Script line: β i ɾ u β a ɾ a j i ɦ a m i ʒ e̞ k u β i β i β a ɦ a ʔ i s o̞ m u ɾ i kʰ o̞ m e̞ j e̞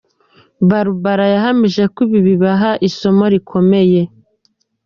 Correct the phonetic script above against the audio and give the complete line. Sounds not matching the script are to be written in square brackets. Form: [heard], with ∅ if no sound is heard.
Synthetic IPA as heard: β [a] ɾ u β a ɾ a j [a] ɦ a m i ʒ e̞ k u β i β i β a ɦ a ʔ i s o̞ m [o] ɾ i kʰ o̞ m e̞ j e̞